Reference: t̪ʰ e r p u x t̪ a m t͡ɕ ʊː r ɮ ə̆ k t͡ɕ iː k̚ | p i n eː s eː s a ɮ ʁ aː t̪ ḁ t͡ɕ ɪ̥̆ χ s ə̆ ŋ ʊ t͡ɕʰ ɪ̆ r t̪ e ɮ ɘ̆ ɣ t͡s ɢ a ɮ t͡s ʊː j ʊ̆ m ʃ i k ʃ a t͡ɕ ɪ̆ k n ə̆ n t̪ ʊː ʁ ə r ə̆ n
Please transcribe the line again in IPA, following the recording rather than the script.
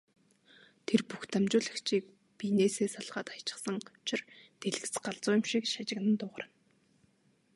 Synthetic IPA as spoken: t̪ʰ e r p u x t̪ a m t͡ɕ ʊː ɮ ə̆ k t͡ɕ iː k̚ | p i n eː s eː s a ɮ ʁ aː t̪ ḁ t͡ɕ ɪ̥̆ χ s ə̆ ŋ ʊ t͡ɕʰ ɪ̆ r t̪ e ɮ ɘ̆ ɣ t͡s ɢ a ɮ t͡s ʊː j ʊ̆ m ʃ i k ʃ a t͡ɕ ɪ̆ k n ə̆ n t̪ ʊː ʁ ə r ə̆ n